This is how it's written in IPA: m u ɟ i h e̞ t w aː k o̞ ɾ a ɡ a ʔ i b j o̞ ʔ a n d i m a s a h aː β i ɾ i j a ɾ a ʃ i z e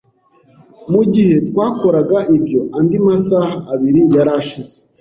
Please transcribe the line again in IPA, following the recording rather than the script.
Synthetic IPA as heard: m u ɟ i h e̞ t w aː k o̞ ɾ a ɡ a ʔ i b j o̞ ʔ a n d i m a s a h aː β i ɾ i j a ɾ a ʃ i z e